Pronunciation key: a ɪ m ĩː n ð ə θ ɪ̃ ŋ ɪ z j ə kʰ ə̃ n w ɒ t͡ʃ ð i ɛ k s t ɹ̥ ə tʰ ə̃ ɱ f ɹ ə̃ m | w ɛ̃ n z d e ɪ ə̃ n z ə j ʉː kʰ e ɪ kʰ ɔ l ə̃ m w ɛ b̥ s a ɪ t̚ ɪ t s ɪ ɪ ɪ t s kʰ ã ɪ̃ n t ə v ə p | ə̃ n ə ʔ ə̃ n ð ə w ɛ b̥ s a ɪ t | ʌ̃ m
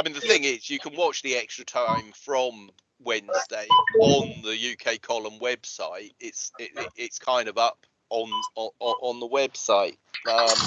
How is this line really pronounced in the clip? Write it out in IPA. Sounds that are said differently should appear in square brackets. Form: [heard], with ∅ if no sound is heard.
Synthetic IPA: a ɪ m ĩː n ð ə θ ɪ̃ ŋ ɪ z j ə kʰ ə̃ n w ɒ t͡ʃ ð i ɛ k s t ɹ̥ ə tʰ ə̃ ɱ f ɹ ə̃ m | w ɛ̃ n z d e ɪ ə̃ n [ð] ə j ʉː kʰ e ɪ kʰ [ɒ] l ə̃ m w ɛ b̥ s a ɪ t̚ ɪ t s ɪ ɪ ɪ t s kʰ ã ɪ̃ n [d] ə v [ʌ] p | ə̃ n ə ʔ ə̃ n ð ə w ɛ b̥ s a ɪ t | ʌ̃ m